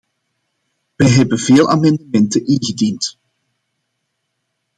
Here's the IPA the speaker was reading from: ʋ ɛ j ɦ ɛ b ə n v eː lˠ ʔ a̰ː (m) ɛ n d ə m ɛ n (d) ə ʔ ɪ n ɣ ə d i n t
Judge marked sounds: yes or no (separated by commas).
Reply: yes, no